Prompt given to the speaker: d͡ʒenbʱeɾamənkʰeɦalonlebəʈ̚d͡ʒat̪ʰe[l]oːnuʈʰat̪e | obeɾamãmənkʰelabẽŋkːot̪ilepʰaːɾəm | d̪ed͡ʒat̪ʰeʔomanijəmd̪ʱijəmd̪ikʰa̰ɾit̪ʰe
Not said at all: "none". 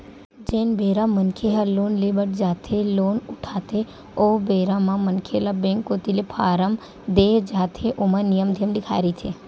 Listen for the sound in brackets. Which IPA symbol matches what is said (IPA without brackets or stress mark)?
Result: l